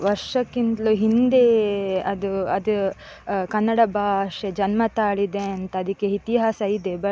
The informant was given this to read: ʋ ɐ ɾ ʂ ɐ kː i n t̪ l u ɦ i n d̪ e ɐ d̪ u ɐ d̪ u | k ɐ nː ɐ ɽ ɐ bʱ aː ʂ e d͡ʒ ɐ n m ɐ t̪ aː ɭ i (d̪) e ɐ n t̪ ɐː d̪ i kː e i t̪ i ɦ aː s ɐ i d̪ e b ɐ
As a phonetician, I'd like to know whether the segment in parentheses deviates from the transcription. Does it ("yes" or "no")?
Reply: no